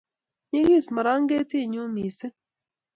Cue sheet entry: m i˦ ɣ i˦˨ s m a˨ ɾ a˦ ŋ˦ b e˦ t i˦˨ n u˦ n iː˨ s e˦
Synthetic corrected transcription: ɲ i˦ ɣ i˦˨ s m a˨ ɾ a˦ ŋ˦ ɡ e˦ t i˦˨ ɲ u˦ m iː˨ s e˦

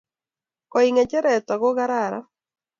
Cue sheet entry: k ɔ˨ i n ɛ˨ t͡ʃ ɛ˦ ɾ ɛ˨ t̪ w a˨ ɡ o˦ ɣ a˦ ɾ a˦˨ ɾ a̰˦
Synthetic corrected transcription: k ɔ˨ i ŋ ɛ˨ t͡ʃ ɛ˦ ɾ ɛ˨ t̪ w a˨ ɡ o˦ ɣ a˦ ɾ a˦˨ ɾ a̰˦

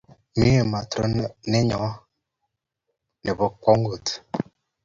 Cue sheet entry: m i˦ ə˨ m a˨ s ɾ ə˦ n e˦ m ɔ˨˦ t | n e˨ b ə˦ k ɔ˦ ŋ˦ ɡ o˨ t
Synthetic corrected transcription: m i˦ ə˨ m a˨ t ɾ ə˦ n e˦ ɲ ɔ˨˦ | n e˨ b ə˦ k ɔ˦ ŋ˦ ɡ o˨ t

